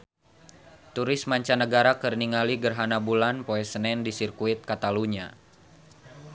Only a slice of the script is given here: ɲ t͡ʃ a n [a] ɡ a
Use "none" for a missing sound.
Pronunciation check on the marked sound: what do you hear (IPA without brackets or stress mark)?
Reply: ə